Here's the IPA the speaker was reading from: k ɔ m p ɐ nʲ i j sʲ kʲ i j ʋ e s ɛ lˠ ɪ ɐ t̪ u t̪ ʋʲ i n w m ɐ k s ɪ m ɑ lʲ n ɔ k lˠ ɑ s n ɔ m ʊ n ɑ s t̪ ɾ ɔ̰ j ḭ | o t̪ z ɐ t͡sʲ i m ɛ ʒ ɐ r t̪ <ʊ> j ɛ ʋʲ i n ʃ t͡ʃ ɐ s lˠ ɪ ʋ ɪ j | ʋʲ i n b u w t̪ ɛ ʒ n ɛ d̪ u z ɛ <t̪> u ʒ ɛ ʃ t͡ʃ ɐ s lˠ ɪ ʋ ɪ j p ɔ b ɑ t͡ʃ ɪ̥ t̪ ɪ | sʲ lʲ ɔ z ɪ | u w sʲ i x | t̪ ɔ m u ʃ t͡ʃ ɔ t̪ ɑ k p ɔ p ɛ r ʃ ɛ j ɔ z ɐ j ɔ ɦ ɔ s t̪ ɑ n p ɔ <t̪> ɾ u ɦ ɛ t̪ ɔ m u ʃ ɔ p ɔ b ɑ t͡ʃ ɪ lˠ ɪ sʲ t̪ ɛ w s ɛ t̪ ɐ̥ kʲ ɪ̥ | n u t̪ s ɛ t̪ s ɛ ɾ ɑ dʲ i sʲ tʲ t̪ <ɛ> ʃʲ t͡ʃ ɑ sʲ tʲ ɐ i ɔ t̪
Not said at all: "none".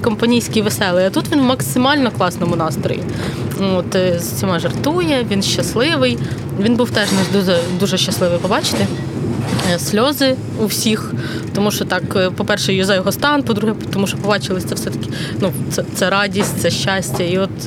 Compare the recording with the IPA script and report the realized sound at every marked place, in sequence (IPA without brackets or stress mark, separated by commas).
u, d̪, d̪, ɛ